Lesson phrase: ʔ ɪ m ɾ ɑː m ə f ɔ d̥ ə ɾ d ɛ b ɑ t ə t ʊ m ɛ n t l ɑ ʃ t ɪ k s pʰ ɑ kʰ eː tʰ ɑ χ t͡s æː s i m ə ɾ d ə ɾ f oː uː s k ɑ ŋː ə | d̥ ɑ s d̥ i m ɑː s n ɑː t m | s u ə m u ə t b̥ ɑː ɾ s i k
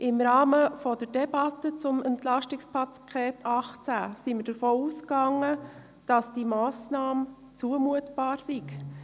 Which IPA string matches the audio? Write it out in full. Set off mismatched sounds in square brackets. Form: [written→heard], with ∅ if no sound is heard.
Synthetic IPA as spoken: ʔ ɪ m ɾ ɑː m ə f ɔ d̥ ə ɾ d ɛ b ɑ t ə [t→t͡s] ʊ m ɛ n t l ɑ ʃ t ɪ k s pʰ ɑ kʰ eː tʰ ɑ χ t͡s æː s i m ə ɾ d ə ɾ f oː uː s k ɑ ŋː ə | d̥ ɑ s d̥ i m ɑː s n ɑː [t→∅] m | [s→t͡s] u ə m u ə t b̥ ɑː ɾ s i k